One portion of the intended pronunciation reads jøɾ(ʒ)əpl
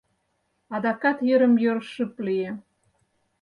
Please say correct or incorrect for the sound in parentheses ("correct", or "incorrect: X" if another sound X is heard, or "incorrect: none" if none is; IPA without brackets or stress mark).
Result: incorrect: ʃ